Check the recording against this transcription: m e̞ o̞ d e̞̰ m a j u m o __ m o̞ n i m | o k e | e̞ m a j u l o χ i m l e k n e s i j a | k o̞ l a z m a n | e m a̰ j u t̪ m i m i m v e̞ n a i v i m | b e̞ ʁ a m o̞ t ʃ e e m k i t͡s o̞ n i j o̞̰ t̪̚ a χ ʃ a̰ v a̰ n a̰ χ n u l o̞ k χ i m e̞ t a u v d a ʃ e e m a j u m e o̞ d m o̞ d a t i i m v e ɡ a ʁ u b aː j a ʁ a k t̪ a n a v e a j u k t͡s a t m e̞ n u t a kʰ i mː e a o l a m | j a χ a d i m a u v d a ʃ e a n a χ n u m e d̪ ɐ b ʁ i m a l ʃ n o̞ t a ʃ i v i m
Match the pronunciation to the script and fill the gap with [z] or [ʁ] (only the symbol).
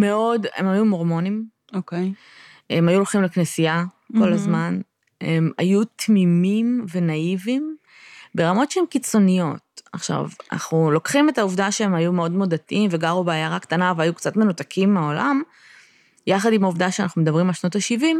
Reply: ʁ